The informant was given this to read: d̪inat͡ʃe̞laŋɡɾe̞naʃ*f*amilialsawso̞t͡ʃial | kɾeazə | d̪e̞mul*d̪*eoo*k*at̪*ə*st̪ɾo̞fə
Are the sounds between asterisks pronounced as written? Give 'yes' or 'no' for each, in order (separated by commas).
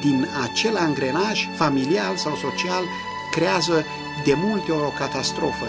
yes, no, yes, no